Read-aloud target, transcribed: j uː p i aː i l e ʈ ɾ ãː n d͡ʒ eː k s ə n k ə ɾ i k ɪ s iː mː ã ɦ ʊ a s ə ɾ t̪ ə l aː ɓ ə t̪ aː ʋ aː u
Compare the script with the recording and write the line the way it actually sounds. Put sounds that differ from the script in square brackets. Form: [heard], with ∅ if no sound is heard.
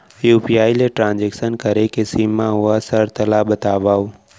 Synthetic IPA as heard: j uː p i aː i l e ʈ ɾ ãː n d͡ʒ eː k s ə n k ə ɾ [e] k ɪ s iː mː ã ɦ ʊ a s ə ɾ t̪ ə l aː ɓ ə t̪ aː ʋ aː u

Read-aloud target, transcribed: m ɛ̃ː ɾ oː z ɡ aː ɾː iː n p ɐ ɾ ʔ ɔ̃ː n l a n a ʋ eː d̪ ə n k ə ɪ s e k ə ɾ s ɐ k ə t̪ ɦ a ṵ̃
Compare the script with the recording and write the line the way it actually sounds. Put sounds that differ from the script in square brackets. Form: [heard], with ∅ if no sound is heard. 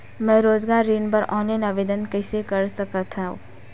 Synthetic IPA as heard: m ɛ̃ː ɾ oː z ɡ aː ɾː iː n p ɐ ɾ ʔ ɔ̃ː n l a n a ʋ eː d̪ ə n k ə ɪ s e k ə ɾ s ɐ k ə t̪ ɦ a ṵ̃

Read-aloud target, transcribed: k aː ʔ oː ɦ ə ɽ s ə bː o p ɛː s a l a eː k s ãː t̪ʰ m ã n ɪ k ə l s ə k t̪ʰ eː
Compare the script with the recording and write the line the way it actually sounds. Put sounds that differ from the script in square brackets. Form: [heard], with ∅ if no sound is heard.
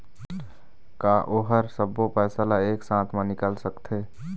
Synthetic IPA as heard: k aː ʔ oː ɦ ə [ɾ] s ə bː o p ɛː s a l a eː k s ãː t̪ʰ m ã n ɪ k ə l s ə k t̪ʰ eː

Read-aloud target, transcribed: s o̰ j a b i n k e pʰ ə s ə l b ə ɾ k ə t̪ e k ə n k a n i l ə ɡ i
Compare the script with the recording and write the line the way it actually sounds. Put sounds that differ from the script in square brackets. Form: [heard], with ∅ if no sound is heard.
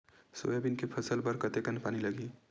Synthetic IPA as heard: s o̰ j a b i n k e pʰ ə s ə l b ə ɾ k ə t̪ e k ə n [p] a n i l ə ɡ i

